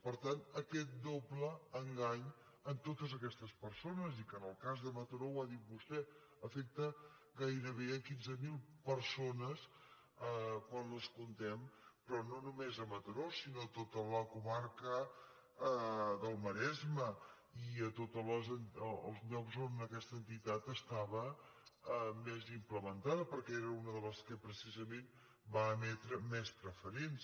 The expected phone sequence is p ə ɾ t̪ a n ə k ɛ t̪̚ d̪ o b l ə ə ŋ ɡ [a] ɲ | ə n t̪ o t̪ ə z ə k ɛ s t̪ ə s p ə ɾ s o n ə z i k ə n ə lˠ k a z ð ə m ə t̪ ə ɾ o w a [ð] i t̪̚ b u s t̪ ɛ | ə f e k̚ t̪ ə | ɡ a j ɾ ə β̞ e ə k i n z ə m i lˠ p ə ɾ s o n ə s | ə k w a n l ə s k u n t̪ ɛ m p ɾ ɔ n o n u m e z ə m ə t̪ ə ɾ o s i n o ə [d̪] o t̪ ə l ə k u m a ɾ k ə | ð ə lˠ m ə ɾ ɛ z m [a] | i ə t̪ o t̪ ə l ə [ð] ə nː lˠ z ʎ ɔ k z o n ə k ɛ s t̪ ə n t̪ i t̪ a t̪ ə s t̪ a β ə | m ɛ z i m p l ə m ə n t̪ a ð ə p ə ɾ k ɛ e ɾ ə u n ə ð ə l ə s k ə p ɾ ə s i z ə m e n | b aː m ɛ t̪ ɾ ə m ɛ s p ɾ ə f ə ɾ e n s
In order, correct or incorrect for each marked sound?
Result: correct, correct, incorrect, incorrect, incorrect

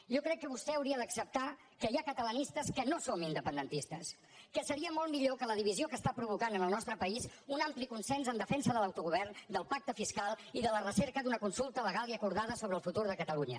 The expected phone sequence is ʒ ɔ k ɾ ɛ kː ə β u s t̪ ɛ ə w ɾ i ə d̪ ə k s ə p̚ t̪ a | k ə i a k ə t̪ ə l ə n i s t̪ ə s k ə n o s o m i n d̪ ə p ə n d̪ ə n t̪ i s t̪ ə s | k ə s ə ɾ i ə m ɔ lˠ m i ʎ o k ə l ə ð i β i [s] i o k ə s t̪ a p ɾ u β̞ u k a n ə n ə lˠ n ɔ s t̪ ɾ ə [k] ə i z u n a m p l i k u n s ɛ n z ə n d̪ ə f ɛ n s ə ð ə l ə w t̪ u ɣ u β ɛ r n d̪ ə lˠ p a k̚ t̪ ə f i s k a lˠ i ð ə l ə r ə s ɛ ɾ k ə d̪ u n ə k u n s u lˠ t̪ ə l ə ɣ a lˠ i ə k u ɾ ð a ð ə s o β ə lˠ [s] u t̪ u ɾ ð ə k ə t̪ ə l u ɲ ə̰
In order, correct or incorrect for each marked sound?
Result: incorrect, incorrect, incorrect

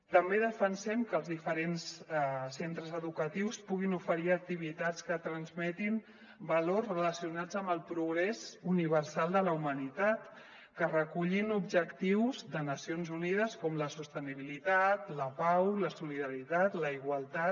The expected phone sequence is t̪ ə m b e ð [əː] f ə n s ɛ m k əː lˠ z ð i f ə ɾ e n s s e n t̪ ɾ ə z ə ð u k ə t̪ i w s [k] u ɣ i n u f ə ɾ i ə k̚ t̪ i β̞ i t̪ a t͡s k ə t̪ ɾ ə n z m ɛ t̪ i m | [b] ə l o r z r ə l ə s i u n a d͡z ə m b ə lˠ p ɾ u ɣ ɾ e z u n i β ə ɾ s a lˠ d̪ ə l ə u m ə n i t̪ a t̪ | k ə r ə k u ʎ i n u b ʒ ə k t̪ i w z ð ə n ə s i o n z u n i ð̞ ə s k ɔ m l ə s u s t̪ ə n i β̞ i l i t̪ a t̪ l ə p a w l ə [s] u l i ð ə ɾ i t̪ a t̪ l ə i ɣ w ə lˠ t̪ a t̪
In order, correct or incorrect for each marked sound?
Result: incorrect, incorrect, correct, correct

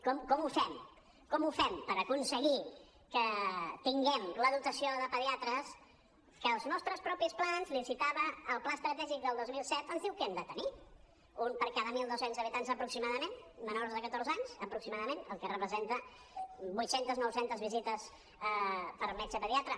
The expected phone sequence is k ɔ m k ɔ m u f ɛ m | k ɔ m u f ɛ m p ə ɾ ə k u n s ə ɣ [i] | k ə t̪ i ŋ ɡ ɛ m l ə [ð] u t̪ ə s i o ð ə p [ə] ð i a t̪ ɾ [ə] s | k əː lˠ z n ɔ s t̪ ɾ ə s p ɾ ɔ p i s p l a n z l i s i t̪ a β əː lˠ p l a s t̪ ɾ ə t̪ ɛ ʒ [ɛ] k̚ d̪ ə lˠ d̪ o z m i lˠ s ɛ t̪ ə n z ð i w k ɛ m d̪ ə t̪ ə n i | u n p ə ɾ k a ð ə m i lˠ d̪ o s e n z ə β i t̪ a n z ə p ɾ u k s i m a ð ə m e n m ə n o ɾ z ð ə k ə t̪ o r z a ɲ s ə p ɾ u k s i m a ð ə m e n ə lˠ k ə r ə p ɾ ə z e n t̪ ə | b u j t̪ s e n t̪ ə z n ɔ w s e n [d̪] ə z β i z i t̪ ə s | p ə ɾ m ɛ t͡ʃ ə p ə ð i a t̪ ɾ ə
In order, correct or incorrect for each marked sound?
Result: correct, correct, correct, correct, incorrect, incorrect

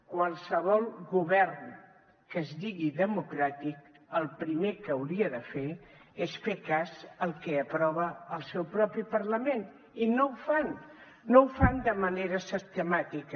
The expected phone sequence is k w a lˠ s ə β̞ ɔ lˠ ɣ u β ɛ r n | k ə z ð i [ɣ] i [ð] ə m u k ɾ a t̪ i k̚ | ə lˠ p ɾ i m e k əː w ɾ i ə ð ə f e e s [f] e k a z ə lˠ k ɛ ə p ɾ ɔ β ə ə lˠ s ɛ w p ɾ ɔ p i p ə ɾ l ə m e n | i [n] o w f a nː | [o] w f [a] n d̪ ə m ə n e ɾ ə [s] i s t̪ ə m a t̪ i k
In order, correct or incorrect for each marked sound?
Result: correct, correct, correct, correct, correct, correct, correct

